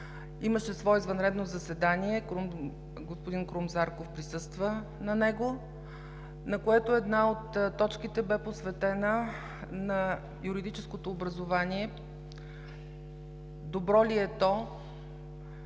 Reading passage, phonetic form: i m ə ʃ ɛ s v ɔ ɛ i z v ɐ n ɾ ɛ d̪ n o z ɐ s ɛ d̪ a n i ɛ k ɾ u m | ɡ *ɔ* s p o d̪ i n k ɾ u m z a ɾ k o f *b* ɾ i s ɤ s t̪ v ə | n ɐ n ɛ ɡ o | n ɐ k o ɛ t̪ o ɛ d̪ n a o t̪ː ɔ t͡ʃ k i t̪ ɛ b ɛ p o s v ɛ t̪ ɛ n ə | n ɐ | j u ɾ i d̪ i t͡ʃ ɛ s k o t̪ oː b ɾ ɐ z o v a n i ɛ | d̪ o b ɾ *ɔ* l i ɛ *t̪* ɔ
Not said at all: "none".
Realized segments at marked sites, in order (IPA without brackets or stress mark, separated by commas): o, p, ɔ, t̪